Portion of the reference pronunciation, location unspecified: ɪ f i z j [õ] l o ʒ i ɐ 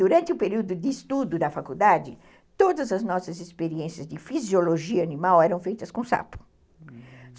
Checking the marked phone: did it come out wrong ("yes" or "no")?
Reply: yes